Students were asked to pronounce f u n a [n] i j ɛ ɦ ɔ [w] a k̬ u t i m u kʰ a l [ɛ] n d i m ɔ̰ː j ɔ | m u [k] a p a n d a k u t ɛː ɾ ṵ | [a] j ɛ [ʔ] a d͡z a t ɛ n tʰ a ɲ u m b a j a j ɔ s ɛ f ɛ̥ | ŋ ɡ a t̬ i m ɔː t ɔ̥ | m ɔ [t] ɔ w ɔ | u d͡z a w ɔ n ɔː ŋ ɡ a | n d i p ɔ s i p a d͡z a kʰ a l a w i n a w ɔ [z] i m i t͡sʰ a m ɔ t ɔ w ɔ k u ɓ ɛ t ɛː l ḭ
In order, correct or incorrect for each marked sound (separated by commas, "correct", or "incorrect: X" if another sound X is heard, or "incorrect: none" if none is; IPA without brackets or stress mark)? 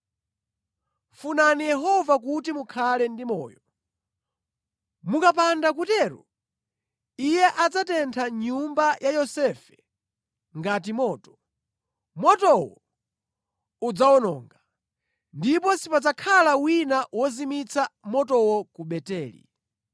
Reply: correct, incorrect: v, correct, correct, incorrect: i, correct, correct, correct